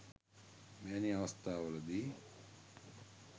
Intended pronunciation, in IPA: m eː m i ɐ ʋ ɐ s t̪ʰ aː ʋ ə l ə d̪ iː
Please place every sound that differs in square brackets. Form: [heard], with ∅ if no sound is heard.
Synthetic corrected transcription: m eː [n] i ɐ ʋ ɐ s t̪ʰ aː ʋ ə l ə d̪ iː